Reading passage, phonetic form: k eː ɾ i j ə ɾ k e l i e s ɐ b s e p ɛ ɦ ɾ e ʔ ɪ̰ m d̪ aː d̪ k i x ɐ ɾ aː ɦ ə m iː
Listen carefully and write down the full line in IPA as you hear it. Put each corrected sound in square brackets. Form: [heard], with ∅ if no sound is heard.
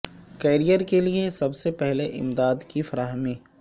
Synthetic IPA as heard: k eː ɾ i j ə ɾ k e l i e s ɐ b s e p ɛ ɦ [l] e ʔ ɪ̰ m d̪ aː d̪ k i [f] ɐ ɾ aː ɦ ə m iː